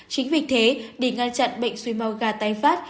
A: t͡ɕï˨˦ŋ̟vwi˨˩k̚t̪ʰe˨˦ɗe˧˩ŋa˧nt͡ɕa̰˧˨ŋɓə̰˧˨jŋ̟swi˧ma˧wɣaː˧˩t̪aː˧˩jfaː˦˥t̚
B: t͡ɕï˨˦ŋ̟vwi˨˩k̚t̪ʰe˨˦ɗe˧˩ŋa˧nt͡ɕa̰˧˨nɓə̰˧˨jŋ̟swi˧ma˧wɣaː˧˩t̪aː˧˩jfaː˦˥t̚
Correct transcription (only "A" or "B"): B